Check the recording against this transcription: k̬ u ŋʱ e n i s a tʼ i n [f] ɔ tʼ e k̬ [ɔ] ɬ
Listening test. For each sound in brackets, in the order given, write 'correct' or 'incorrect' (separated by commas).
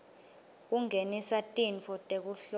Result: correct, incorrect